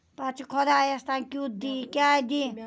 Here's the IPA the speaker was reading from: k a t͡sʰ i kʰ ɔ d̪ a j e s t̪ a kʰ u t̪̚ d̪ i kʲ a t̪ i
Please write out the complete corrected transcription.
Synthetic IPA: p a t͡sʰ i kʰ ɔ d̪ a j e s t̪ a k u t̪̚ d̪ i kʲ a d̪ i

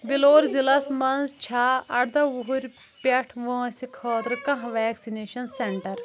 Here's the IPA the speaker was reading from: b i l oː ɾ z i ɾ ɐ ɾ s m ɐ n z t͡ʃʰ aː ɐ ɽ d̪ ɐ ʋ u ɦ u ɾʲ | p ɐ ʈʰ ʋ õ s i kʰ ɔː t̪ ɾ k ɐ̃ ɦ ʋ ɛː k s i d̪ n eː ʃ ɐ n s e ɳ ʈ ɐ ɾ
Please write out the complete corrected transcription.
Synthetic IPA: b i l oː ɾ z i l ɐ s m ɐ n z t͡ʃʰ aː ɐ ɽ d̪ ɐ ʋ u ɦ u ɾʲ | p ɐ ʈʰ ʋ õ s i kʰ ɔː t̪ ɾ k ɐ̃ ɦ ʋ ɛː k s i n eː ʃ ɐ n s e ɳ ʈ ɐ ɾ

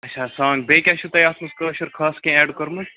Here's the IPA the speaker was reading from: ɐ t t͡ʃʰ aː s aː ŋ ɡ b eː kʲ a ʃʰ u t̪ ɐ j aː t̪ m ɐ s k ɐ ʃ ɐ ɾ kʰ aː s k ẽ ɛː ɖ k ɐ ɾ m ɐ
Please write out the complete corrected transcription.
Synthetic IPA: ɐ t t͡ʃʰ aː s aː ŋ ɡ b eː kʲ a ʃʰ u t̪ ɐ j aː t̪ m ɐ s k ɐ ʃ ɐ ɾ kʰ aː s k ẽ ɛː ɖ k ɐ ɾ m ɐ

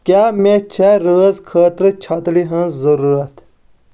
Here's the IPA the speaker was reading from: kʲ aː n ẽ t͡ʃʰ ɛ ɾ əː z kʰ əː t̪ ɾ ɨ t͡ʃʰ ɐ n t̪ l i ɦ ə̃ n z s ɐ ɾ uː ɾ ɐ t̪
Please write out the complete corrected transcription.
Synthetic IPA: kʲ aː m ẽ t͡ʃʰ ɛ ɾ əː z kʰ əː t̪ ɾ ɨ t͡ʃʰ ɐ t̪ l i ɦ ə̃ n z z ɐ ɾ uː ɾ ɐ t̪

